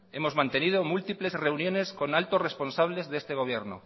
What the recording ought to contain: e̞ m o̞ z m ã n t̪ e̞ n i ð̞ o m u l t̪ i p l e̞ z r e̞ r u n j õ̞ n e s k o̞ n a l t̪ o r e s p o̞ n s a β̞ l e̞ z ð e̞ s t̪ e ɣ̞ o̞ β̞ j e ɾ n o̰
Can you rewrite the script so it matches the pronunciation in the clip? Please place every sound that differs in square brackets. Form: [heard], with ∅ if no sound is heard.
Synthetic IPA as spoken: e̞ m o̞ z m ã n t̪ e̞ n i ð̞ o m u l t̪ i p l e̞ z r e̞ [∅] u n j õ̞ n e s k o̞ n a l t̪ o r e s p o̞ n s a β̞ l e̞ z ð e̞ s t̪ e ɣ̞ o̞ β̞ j e ɾ n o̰